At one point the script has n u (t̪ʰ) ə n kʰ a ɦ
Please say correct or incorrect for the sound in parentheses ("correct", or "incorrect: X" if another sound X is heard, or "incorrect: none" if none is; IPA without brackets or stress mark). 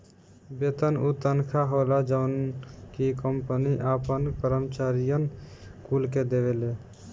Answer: incorrect: t̪